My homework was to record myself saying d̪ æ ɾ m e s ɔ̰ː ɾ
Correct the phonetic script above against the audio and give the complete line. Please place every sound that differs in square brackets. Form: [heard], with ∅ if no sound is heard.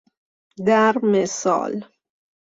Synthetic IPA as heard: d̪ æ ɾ m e s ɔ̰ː [l]